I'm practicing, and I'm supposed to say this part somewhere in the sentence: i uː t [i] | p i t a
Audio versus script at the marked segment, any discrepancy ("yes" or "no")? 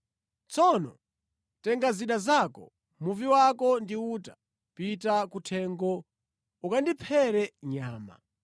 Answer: yes